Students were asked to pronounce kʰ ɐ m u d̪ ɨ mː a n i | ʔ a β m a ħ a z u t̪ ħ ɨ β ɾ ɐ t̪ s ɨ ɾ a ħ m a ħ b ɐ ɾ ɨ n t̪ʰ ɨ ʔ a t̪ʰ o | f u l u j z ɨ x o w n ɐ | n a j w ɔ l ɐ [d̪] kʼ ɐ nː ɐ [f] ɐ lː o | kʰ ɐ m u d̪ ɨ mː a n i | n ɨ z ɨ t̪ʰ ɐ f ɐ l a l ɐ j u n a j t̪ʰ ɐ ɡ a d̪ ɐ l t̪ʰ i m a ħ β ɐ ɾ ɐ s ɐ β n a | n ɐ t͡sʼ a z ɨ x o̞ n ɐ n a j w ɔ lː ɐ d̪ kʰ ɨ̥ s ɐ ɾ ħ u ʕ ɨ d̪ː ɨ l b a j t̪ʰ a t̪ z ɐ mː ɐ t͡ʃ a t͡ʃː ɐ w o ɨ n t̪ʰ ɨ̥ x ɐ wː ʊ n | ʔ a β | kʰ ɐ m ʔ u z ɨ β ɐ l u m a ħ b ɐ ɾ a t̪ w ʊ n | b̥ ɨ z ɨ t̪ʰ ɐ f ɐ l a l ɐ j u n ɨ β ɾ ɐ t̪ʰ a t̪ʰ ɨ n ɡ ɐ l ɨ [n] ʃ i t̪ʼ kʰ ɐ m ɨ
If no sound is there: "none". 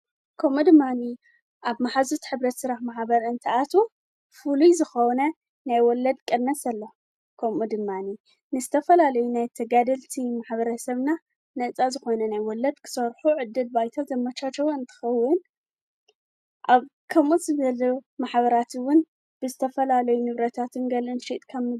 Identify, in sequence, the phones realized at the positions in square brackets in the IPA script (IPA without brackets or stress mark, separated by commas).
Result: d̪, s, n